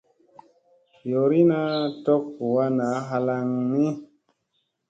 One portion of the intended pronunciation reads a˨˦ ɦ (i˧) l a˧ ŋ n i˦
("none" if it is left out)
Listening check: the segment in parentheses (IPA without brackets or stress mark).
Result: a˧